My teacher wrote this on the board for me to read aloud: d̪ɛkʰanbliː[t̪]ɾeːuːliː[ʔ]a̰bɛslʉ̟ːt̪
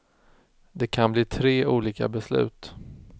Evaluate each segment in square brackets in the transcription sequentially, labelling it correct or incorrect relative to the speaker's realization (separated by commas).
incorrect, incorrect